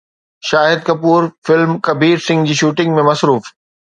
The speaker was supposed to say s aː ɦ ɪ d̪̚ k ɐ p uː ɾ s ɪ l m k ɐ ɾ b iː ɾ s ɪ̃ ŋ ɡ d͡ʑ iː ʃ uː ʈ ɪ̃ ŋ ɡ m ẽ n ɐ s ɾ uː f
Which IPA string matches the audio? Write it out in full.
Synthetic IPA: ʃ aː ɦ ɪ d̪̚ k ɐ p uː ɾ f ɪ l m k ɐ b iː ɾ s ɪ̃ ŋ ɡ d͡ʑ iː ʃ uː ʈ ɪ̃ ŋ ɡ m ẽ m ɐ s ɾ uː f